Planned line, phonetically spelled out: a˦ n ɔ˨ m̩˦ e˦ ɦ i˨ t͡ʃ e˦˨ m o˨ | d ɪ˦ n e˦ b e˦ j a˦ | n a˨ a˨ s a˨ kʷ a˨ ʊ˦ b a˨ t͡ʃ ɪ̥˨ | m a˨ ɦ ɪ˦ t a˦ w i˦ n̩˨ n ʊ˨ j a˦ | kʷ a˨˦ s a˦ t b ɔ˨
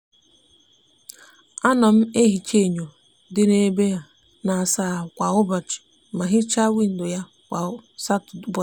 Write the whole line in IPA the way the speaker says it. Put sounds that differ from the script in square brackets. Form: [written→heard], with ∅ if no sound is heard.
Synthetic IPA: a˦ n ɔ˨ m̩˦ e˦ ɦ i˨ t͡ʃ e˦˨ [m→ɲ] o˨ | d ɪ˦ n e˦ b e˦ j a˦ | n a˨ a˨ s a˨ kʷ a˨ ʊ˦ b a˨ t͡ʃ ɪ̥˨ | m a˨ ɦ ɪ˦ [t→t͡ʃ] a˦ w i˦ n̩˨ [n→d] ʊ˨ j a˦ | kʷ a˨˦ s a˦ t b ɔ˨